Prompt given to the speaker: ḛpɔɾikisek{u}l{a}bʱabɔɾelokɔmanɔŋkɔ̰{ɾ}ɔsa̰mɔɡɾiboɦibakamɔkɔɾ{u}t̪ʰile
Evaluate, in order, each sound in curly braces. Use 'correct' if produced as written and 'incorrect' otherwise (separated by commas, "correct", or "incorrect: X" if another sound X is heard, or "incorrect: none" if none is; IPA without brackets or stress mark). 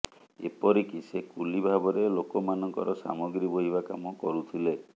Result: correct, incorrect: i, correct, correct